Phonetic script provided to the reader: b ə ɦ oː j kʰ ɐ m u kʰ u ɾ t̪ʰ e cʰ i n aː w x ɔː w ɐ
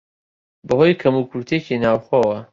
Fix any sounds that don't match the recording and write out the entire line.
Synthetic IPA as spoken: b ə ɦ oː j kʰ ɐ m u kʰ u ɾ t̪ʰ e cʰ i n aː w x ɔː w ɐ